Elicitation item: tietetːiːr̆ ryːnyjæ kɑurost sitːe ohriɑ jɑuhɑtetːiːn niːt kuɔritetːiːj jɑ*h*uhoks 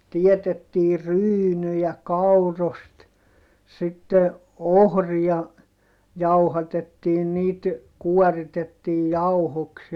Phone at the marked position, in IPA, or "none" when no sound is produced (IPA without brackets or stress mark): none